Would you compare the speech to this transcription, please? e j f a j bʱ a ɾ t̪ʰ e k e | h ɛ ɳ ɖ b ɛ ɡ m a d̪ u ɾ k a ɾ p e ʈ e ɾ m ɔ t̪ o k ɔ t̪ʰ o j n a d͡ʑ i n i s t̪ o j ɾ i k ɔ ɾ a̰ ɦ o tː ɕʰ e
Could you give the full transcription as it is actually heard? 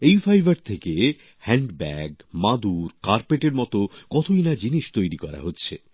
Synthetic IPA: e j f a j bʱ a ɾ t̪ʰ e k e | h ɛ ɳ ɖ b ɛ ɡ m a d̪ u ɾ k a ɾ p e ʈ e ɾ m ɔ t̪ o k ɔ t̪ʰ o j n a d͡ʑ i n i ʃ t̪ o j ɾ i k ɔ ɾ a̰ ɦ o tː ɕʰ e